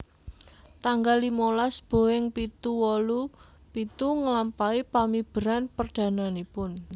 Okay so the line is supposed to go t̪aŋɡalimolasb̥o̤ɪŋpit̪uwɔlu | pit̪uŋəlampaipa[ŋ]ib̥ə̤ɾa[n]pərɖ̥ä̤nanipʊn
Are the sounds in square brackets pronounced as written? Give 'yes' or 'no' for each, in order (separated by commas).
no, yes